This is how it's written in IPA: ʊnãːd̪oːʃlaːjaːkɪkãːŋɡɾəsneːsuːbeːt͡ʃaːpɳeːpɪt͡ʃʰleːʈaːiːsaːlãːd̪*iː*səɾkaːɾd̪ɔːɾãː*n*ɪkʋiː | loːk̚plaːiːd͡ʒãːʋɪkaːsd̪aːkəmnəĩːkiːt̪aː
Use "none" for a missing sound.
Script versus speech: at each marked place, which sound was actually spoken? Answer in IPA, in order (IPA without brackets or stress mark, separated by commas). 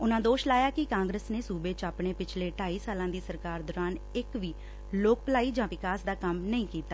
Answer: iː, n